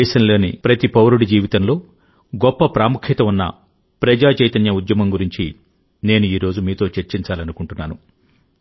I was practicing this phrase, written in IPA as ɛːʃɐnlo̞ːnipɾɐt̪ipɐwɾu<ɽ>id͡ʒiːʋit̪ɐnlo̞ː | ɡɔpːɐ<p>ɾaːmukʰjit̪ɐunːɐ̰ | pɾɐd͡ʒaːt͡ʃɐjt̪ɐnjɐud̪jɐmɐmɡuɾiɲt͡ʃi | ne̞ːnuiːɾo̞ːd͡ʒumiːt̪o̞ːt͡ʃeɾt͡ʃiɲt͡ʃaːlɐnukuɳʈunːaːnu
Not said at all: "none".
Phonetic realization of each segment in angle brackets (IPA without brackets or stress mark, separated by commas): ɽ, p